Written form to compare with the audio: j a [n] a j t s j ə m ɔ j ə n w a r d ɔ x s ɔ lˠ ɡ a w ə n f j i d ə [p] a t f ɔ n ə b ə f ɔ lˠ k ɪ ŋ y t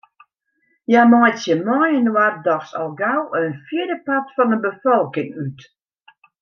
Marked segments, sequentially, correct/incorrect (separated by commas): incorrect, correct